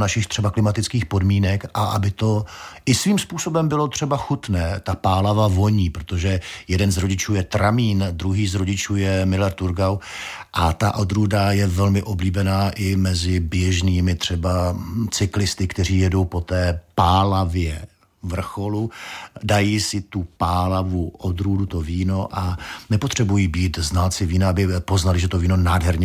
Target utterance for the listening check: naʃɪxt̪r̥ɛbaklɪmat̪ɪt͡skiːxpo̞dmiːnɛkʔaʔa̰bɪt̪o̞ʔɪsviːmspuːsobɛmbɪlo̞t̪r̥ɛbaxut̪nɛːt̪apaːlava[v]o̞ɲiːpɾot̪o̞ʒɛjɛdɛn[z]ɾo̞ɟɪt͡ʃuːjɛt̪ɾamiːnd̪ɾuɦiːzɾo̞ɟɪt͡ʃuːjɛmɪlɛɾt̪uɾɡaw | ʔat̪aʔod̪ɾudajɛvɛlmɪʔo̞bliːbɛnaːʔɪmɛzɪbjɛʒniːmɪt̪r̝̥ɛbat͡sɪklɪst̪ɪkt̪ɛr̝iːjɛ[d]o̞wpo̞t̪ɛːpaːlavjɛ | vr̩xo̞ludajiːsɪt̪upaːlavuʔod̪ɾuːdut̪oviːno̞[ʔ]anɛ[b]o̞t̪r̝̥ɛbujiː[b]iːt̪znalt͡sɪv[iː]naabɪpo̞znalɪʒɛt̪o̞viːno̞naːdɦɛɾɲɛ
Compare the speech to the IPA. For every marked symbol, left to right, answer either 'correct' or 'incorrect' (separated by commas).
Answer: correct, correct, correct, correct, incorrect, correct, correct